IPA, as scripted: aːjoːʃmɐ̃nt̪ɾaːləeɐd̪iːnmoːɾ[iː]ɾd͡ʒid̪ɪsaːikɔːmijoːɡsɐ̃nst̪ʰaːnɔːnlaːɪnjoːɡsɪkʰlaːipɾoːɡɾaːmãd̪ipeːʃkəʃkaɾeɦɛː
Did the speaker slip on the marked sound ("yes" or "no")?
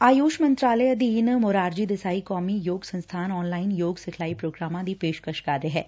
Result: yes